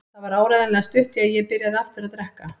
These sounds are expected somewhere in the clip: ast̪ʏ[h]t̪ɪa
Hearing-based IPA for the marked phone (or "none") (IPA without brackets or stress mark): h